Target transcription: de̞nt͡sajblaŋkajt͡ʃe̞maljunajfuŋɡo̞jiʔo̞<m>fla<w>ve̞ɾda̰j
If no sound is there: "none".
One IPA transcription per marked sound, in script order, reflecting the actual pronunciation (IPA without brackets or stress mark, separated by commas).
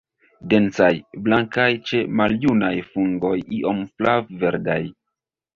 m, v